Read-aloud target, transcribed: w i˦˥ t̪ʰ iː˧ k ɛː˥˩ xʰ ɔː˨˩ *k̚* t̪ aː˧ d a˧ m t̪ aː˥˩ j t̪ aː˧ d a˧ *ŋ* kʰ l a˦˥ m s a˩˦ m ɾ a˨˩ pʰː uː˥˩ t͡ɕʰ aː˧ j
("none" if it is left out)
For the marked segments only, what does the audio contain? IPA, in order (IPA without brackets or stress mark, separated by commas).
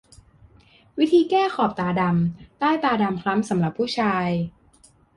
p̚, m